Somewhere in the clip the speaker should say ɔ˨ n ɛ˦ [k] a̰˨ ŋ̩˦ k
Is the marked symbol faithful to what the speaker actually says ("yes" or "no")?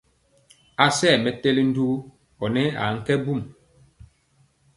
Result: no